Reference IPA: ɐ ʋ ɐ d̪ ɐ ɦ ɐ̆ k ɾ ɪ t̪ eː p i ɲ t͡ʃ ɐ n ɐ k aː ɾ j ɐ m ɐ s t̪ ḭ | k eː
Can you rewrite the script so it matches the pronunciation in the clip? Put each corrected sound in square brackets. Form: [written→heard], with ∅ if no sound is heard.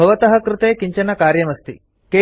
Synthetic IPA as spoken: ɐ ʋ ɐ [d̪→t̪] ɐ ɦ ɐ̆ k ɾ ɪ t̪ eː [p→k] i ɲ t͡ʃ ɐ n ɐ k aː ɾ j ɐ m ɐ s t̪ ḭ | k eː